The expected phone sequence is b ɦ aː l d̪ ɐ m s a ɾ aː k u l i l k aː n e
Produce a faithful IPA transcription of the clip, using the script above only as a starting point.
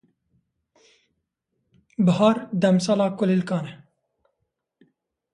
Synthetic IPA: b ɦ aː ɾ d̪ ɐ m s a l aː k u l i l k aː n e

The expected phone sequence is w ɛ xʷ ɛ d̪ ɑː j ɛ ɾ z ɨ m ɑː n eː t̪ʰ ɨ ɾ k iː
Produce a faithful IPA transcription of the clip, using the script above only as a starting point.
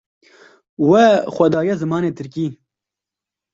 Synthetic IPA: w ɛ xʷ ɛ d̪ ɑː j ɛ z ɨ m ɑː n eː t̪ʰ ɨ ɾ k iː

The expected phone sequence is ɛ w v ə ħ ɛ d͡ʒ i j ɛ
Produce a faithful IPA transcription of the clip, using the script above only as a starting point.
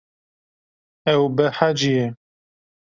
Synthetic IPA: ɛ w b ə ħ a d͡ʒ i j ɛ

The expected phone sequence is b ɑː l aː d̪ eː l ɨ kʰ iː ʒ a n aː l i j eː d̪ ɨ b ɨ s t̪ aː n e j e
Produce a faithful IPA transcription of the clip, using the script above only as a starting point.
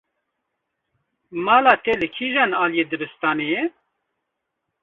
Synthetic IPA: m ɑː l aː t̪ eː l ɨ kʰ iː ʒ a n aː l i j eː d̪ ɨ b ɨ s t̪ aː n e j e

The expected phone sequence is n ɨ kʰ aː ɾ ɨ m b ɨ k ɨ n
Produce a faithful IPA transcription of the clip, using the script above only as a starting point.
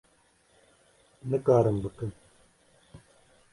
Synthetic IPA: n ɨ k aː ɾ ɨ m b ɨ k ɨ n

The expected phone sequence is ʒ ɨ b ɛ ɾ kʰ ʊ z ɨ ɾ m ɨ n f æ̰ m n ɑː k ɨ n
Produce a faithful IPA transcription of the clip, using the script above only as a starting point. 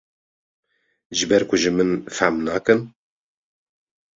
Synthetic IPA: ʒ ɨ b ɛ ɾ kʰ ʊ ʒ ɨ m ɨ n f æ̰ m n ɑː k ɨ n

